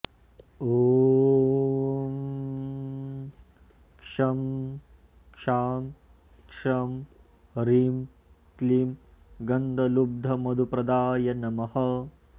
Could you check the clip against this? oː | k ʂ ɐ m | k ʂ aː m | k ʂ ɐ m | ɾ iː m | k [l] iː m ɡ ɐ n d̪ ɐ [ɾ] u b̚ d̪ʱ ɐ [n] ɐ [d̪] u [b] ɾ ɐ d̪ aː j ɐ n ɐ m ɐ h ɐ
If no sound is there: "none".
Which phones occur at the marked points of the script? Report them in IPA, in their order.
l, l, m, d̪, p

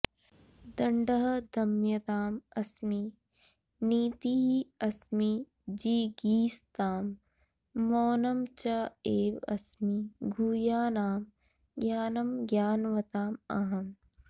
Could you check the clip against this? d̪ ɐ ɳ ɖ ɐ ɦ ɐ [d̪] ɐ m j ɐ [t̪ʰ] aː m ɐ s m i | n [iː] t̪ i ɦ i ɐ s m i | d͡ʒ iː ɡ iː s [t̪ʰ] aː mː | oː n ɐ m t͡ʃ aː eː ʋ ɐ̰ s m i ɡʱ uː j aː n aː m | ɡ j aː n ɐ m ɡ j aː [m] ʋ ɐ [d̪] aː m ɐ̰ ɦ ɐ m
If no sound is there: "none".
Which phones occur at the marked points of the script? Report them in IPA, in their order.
d̪, t̪, iː, t̪, n, t̪

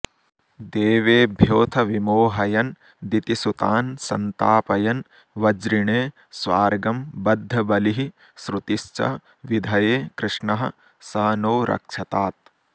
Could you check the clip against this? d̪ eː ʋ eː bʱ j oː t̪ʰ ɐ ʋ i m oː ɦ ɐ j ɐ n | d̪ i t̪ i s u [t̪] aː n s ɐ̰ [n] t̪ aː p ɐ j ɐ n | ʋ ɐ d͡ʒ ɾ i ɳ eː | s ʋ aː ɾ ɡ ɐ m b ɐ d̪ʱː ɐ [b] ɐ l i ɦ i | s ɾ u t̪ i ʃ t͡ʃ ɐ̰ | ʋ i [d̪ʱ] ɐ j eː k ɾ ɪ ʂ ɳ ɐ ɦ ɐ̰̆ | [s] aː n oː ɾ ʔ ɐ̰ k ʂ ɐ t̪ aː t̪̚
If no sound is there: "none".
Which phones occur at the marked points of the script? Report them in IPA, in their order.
t̪, n, b, d̪ʱ, s

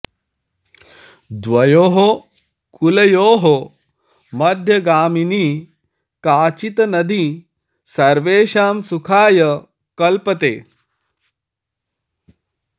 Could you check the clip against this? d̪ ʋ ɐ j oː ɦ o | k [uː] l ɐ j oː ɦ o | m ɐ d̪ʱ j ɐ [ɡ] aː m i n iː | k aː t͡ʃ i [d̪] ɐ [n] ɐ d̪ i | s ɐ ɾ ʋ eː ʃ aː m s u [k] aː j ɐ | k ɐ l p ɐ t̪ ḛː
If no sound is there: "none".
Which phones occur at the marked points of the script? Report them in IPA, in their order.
u, ɡ, t̪, n, kʰ

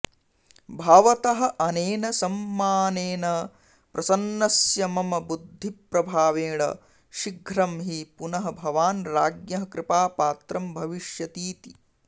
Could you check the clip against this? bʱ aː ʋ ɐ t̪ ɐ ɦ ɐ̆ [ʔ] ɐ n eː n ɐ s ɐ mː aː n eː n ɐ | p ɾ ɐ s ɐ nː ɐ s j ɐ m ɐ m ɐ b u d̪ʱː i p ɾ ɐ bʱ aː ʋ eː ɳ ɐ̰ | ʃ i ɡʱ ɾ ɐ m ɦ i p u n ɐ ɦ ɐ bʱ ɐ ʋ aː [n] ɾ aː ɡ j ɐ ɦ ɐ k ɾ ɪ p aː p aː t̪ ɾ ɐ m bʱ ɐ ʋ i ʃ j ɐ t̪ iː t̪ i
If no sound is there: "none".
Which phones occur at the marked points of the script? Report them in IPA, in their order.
ʔ, n

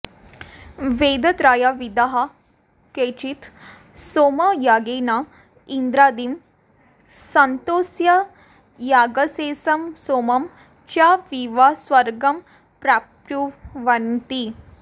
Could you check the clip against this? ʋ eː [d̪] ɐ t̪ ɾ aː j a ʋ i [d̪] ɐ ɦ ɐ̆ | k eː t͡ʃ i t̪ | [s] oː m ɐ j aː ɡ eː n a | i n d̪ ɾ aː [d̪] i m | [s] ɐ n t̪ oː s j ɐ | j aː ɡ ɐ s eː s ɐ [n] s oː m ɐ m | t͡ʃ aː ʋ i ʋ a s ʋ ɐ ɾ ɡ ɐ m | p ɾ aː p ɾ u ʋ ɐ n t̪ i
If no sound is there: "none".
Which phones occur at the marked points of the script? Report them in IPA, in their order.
d̪, d̪, s, d̪, s, m

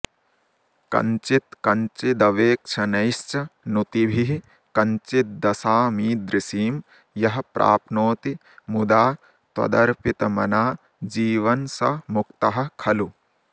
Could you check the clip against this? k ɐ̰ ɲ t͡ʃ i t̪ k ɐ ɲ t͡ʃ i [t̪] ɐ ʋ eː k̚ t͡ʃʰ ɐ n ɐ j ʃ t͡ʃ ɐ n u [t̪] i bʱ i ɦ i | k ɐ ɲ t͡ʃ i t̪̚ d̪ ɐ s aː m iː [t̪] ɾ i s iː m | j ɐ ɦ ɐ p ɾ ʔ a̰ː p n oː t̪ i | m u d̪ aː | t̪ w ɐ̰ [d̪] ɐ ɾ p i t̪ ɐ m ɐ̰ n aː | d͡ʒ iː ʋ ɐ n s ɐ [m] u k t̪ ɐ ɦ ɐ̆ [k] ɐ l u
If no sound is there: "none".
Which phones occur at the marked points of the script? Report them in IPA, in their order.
d̪, t̪, d̪, d̪, m, kʰ

